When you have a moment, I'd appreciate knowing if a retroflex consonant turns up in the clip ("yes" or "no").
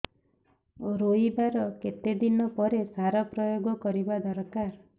no